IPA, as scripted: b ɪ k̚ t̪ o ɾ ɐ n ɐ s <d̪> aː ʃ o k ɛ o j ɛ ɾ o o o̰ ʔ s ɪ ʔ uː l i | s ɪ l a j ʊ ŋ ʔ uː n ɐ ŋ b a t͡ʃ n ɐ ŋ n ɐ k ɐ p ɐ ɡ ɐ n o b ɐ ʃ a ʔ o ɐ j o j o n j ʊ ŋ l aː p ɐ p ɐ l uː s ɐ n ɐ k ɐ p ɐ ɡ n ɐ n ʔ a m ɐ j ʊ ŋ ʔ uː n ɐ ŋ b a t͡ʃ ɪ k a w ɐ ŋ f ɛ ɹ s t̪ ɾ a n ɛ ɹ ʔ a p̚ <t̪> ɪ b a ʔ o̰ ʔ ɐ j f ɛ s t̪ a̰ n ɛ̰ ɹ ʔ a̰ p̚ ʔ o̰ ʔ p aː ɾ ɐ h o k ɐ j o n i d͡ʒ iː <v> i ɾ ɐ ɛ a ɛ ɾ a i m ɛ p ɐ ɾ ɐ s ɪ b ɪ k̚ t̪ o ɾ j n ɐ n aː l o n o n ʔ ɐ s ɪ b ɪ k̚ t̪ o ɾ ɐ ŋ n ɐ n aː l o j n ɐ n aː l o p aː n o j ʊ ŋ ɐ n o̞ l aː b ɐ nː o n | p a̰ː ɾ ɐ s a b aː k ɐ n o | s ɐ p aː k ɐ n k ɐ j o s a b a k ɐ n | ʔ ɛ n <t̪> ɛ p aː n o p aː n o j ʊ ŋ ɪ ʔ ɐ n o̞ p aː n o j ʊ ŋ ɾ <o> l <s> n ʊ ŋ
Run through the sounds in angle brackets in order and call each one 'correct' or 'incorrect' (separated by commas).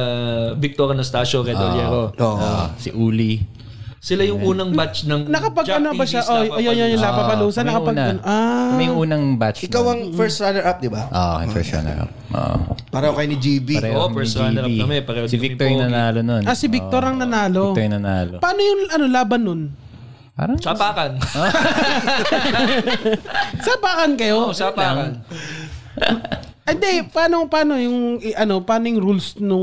incorrect, incorrect, incorrect, incorrect, incorrect, correct